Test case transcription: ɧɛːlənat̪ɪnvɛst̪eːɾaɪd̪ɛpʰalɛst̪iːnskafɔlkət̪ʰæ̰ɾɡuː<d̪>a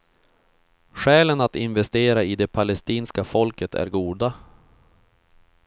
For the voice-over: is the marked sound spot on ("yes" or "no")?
yes